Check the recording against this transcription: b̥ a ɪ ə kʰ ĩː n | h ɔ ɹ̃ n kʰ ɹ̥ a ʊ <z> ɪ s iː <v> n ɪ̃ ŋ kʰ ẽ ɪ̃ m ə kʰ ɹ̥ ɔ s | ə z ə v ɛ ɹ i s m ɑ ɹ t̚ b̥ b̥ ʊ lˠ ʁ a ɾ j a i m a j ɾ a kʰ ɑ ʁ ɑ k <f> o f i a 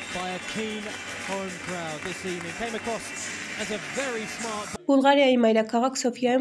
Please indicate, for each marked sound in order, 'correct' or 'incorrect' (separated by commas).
incorrect, correct, incorrect